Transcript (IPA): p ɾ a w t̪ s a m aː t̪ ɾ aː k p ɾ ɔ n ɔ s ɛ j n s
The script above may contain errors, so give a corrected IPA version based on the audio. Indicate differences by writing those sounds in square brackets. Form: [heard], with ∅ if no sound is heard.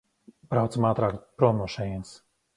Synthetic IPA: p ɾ a w t̪ s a m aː t̪ ɾ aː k p ɾ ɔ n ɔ [ʃ] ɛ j n s